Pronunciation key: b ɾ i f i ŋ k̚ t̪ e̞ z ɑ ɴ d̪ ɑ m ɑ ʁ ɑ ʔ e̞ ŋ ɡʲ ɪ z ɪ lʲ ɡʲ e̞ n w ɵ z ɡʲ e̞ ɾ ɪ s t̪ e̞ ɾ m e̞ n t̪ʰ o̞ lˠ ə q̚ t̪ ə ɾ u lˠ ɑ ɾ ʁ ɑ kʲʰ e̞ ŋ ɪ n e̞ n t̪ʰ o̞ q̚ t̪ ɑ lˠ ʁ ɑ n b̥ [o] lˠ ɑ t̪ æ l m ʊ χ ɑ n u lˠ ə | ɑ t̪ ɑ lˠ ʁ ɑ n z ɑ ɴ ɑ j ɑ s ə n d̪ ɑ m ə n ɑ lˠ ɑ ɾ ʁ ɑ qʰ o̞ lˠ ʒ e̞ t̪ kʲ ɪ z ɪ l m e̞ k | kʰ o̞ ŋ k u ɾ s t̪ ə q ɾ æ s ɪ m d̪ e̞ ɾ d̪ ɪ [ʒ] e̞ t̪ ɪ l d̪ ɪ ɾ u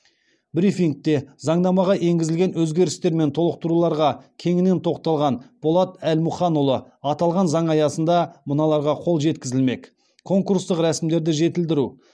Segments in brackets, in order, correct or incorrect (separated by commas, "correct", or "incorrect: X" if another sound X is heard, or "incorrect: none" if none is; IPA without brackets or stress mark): correct, correct